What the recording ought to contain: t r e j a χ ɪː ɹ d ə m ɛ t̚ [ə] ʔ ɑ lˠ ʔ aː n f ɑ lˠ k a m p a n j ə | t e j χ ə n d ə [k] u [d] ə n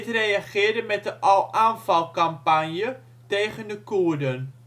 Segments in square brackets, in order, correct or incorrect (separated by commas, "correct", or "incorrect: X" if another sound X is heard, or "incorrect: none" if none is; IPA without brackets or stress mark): correct, correct, correct